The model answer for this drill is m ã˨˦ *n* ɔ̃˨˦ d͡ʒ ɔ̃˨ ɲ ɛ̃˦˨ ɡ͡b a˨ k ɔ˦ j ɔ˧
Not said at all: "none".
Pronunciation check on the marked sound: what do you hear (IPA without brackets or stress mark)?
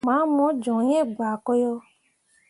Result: m